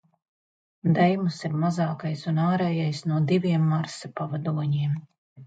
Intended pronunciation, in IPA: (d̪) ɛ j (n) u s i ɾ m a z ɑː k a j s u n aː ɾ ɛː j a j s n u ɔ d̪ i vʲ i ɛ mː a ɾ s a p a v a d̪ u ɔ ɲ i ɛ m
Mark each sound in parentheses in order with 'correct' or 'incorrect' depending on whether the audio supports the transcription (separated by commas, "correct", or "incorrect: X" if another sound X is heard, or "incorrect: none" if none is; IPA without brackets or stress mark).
correct, incorrect: m